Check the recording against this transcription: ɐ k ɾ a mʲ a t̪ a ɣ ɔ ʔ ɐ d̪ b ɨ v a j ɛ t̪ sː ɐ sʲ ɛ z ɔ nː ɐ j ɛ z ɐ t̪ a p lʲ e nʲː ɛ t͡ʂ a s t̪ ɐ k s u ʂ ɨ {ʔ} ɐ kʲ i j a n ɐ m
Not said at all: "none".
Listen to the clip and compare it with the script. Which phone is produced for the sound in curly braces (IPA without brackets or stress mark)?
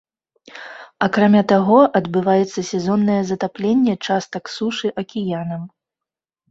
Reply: ʔ